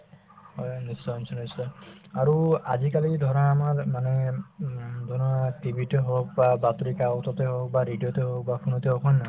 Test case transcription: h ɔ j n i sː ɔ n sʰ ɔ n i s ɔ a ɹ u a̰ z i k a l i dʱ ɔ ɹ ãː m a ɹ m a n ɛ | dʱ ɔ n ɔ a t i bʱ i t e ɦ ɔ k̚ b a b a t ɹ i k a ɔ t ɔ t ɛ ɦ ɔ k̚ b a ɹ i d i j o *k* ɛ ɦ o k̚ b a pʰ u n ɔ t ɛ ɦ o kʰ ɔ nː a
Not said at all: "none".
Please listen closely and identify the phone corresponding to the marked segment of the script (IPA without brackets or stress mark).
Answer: t